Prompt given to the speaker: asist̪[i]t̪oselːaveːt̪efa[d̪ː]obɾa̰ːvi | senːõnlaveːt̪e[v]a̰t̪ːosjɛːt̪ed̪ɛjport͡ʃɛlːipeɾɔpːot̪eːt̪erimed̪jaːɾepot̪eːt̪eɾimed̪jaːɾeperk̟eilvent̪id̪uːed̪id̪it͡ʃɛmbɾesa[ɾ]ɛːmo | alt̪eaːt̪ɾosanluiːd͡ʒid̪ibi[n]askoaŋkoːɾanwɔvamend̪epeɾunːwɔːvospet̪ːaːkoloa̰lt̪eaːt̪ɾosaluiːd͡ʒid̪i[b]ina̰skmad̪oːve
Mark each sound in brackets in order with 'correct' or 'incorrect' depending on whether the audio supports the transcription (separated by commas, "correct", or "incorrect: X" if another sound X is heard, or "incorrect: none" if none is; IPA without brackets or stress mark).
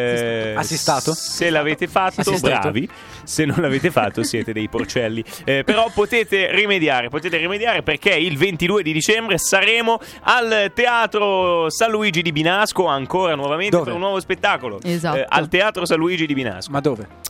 incorrect: a, incorrect: t̪ː, incorrect: f, correct, correct, correct